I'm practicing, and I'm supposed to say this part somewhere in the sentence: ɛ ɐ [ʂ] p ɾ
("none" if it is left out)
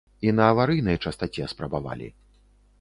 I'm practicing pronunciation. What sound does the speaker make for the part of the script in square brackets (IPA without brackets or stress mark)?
s